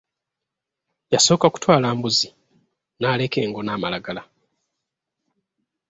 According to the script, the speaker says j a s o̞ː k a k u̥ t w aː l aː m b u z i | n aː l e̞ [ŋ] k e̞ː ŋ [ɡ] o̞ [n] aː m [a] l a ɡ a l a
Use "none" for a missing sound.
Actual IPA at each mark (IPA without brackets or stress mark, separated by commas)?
none, ɡ, n, a